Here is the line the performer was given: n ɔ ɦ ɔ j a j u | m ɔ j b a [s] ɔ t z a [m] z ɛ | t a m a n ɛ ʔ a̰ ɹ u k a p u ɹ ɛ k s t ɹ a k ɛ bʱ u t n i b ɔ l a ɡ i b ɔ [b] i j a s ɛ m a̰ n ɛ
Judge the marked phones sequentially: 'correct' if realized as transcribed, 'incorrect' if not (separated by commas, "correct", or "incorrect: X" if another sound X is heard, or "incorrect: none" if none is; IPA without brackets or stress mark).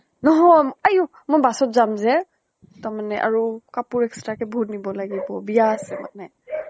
correct, correct, correct